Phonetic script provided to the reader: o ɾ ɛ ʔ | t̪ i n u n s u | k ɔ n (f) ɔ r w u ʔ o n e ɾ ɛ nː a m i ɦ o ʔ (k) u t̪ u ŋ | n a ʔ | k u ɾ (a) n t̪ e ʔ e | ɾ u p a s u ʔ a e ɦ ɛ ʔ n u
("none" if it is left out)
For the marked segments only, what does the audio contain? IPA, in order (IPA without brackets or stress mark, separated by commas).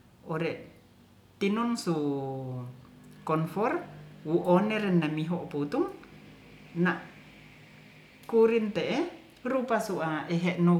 f, p, i